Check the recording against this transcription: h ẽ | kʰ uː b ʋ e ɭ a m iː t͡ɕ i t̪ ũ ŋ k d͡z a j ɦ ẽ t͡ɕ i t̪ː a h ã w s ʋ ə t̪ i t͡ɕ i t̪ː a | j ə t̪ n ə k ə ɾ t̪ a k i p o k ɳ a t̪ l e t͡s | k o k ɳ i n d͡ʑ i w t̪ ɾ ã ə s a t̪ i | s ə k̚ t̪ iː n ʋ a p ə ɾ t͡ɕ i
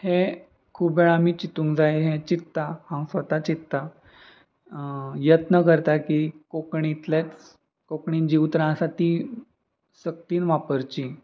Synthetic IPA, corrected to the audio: h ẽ | kʰ uː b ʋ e ɭ a m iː t͡ɕ i t̪ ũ ŋ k d͡z a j ɦ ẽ t͡ɕ i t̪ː a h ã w s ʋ ə t̪ a t͡ɕ i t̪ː a | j ə t̪ n ə k ə ɾ t̪ a k i k o k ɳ i t̪ l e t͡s | k o k ɳ i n d͡ʑ i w t̪ ɾ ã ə s a t̪ i | s ə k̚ t̪ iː n ʋ a p ə ɾ t͡ɕ i